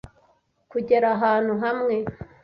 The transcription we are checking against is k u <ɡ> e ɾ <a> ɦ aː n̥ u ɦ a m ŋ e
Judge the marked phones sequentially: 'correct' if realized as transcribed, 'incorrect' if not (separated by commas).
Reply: incorrect, correct